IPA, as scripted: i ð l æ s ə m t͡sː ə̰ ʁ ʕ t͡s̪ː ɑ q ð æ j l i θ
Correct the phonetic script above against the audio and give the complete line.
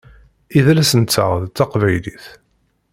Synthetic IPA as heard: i ð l æ s ə n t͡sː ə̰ ʁ ð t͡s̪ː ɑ q v æ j l i θ